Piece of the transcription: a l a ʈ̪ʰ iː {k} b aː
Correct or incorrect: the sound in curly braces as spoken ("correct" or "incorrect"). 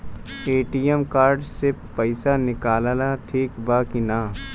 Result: correct